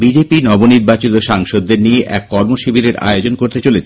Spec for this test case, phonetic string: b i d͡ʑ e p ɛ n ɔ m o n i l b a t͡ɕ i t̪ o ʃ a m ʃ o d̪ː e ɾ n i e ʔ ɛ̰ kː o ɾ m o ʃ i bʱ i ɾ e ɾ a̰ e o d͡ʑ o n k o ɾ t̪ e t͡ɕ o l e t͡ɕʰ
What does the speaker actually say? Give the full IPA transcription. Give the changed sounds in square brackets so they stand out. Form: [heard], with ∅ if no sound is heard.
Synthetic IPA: b i d͡ʑ e p [i] n ɔ [b] o n i [ɾ] b a t͡ɕ i t̪ o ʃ a [ŋ] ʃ o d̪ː e ɾ n i e ʔ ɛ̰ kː [ɔ] ɾ m o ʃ i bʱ i ɾ e ɾ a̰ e o d͡ʑ o n k o ɾ t̪ e t͡ɕ o l e t͡ɕʰ